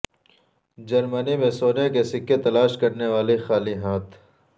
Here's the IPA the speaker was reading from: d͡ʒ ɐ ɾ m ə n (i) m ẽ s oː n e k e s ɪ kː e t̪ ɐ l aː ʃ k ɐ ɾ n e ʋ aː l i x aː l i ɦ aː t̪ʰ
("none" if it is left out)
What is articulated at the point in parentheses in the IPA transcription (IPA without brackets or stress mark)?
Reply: i